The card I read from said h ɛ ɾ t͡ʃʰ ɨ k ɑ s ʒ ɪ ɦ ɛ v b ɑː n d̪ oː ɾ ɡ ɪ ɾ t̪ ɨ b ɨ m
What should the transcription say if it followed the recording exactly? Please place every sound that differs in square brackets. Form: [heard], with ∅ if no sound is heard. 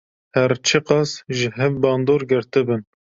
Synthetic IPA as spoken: h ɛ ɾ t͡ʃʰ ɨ [q] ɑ s ʒ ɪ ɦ ɛ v b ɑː n d̪ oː ɾ ɡ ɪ ɾ t̪ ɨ b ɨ [n]